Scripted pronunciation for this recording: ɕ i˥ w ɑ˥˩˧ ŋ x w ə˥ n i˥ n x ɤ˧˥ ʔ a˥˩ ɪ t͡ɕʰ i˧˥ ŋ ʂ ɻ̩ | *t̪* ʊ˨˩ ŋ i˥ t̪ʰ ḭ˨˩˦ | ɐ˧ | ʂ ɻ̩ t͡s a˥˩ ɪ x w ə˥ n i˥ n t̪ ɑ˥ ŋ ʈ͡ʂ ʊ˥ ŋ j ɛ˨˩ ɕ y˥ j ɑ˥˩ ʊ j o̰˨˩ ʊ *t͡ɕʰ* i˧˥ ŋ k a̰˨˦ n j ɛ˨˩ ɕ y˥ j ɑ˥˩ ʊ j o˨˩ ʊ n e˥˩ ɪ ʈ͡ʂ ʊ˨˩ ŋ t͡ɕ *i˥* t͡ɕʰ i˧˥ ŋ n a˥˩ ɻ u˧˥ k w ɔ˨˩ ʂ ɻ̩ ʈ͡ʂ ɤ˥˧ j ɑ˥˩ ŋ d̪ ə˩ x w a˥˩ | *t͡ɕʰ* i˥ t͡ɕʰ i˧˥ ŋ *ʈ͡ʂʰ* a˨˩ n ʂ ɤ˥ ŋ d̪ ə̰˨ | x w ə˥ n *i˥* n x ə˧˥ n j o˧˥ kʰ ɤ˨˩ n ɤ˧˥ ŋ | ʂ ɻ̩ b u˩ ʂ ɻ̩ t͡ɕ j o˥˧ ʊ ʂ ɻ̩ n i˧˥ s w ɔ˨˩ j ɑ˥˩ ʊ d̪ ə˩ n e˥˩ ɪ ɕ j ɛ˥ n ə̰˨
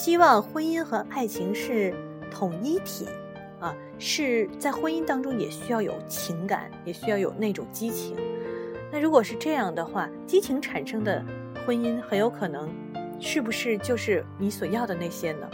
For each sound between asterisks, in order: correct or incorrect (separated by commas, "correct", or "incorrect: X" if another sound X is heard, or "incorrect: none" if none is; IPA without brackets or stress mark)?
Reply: incorrect: t̪ʰ, correct, correct, incorrect: t͡ɕ, correct, correct